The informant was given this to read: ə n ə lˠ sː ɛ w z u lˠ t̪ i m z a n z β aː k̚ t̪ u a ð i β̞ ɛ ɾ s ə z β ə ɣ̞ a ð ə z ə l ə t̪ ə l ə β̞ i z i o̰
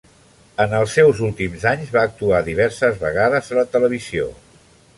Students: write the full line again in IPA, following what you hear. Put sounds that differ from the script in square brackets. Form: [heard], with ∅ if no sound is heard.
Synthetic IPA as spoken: ə n ə lˠ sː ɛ w z u lˠ t̪ i m z a [ɲ] z β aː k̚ t̪ u a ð i β̞ ɛ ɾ s ə z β ə ɣ̞ a ð ə z ə l ə t̪ ə l ə β̞ i z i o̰